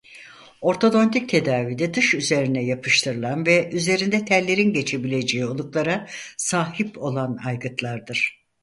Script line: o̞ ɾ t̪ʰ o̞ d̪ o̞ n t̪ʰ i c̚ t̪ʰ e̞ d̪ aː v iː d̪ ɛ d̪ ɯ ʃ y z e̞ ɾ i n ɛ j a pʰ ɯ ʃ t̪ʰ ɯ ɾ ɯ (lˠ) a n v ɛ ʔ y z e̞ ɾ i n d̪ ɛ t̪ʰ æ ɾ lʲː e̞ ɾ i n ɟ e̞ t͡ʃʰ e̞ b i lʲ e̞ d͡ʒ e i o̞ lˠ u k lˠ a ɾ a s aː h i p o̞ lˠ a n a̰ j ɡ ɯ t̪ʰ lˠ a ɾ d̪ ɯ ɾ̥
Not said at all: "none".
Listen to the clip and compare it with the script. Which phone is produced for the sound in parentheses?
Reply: lˠ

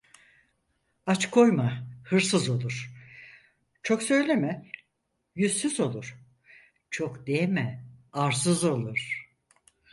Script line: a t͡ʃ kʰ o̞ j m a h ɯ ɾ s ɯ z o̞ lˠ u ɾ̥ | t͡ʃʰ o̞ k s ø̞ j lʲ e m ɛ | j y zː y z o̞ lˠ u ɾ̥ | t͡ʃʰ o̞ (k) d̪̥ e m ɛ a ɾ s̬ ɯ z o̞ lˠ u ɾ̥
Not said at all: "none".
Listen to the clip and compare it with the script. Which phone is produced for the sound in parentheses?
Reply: k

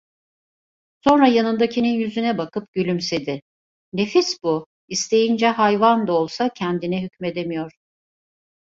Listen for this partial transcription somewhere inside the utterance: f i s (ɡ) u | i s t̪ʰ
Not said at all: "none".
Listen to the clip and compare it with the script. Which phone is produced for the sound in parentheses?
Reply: b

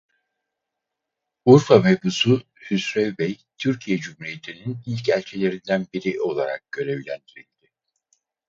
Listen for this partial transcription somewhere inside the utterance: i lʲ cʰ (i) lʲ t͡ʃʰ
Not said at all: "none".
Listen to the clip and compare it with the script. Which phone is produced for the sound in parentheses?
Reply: æ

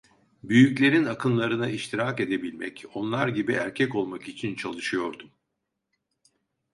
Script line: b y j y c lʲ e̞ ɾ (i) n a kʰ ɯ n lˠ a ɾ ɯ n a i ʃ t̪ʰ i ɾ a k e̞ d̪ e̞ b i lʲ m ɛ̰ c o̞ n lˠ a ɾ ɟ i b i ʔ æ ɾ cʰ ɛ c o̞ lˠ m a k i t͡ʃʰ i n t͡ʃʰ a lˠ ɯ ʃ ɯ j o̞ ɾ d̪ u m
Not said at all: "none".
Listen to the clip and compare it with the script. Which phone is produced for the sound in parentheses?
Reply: i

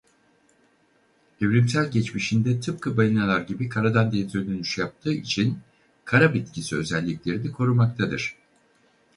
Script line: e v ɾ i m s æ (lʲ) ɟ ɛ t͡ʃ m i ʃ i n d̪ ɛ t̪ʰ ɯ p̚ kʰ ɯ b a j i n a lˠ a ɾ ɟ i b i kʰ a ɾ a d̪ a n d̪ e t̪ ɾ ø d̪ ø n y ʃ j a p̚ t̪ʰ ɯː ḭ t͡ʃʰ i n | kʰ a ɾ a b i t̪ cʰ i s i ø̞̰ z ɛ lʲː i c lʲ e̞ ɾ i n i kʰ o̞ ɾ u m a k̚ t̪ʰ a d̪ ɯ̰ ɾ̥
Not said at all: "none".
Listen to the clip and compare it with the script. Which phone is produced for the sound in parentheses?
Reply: lʲ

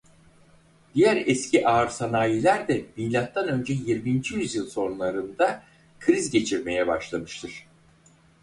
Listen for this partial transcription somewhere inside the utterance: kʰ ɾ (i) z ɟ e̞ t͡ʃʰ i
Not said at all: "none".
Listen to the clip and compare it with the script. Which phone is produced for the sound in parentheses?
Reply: i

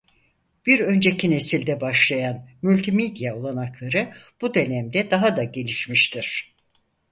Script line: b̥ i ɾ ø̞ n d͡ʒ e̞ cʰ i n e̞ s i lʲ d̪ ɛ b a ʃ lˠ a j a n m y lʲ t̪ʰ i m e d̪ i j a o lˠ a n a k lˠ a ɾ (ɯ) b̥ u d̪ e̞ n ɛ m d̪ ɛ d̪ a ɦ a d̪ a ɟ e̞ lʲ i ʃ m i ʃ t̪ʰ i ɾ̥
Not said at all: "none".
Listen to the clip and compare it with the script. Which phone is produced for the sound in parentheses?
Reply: ɯ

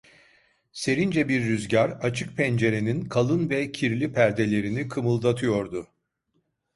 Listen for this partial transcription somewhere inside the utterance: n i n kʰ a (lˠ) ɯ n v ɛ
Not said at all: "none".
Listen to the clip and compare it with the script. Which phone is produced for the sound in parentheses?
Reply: lˠ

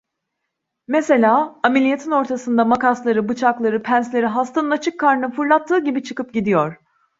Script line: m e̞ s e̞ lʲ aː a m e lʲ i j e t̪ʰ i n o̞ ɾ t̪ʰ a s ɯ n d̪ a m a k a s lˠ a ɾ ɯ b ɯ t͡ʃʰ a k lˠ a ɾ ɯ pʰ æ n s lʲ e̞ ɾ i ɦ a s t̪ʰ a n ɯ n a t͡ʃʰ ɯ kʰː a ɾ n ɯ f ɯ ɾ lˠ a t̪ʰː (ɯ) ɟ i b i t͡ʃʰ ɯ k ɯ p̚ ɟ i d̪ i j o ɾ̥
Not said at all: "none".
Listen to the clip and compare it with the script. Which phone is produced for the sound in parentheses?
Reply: ɯː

